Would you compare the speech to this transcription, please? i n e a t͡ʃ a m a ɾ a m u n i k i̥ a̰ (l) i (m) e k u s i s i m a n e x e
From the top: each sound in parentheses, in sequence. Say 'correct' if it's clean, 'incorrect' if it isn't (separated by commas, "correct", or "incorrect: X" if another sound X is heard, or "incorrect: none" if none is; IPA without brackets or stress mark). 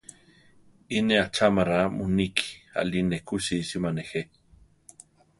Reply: correct, incorrect: n